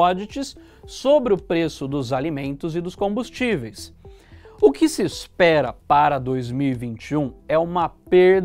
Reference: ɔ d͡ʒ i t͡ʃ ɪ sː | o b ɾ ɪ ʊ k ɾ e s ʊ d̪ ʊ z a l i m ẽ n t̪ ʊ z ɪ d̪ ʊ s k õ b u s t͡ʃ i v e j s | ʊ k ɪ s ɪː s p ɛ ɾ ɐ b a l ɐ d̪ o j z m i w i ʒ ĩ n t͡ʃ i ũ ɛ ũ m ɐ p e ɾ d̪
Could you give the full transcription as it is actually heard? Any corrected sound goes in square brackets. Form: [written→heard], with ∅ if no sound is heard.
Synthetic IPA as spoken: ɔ d͡ʒ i t͡ʃ ɪ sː | o b ɾ ɪ ʊ [k→p] ɾ e s ʊ d̪ ʊ z a l i m ẽ n t̪ ʊ z ɪ d̪ ʊ s k õ b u s t͡ʃ i v e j s | ʊ k ɪ s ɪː s p ɛ ɾ ɐ [b→p] a [l→ɾ] ɐ d̪ o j z m i w i [ʒ→v] ĩ n t͡ʃ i ũ ɛ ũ m ɐ p e ɾ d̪